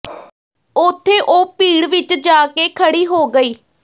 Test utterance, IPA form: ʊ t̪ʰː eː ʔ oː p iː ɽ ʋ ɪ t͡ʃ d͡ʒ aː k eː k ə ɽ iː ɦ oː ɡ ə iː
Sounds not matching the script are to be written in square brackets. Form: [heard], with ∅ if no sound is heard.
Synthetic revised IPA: ʊ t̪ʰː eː ʔ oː p iː ɽ ʋ ɪ t͡ʃ d͡ʒ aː k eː [kʰ] ə ɽ iː ɦ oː ɡ ə iː